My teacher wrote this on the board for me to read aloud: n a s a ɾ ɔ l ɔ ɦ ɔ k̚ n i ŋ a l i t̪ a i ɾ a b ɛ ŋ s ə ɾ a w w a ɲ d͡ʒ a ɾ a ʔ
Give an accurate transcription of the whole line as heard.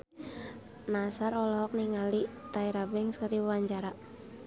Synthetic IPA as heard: n a s a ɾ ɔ l ɔ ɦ ɔ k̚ n i ŋ a l i t̪ a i ɾ a b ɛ ŋ s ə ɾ i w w a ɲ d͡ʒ a ɾ a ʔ

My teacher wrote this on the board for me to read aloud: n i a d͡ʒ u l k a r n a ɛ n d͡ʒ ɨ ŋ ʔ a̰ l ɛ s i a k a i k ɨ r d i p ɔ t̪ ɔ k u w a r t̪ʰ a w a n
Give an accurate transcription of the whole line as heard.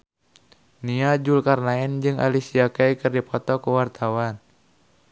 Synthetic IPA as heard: n i a d͡ʒ u l k a r n a ɛ n d͡ʒ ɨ ŋ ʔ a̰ l i s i a k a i k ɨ r d i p ɔ t̪ ɔ k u w a r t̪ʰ a w a n

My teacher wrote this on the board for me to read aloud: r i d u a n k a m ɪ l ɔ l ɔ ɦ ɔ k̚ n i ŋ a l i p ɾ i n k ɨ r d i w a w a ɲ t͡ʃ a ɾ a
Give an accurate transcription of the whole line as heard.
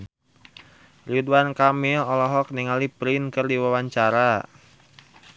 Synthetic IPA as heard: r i d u a n k a m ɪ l ɔ l ɔ ɦ ɔ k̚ n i ŋ a l i p ɾ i n k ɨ r d i w a w a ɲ t͡ʃ a ɾ a

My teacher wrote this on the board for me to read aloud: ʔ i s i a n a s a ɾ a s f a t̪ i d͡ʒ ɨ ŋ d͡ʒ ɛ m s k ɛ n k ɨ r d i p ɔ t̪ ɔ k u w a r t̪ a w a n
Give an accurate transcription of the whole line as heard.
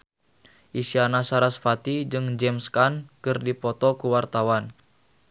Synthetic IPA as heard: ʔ i s i a n a s a ɾ a s f a t̪ i d͡ʒ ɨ ŋ d͡ʒ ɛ m s k a n k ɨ r d i p ɔ t̪ ɔ k u w a r t̪ a w a n

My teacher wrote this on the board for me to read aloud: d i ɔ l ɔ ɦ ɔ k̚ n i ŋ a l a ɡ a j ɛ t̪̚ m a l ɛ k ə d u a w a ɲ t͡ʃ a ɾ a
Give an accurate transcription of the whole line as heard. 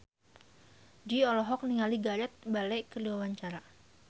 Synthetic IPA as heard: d i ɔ l ɔ ɦ ɔ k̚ n i ŋ a l i ɡ a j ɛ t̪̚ b a l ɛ k ə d u a w a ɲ t͡ʃ a ɾ a

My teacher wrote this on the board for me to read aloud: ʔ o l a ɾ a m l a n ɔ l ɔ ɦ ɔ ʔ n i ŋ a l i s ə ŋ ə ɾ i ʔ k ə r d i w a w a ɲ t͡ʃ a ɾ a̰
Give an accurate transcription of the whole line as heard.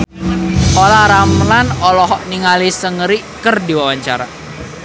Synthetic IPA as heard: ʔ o l a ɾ a m l a n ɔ l ɔ ɦ ɔ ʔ n i ŋ a l i s ə ŋ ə ɾ i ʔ k ə r d i w a w a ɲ t͡ʃ a ɾ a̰

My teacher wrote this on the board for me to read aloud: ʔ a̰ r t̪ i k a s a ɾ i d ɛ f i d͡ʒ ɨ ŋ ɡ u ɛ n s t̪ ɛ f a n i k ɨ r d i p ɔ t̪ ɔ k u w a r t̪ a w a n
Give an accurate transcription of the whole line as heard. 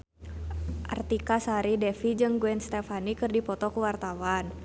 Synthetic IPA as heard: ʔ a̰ r t̪ i k a s a ɾ i d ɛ f i d͡ʒ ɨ ŋ ɡ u ɛ n s t̪ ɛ f a n i k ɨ r d i p ɔ t̪ ɔ k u w a r t̪ a w a n

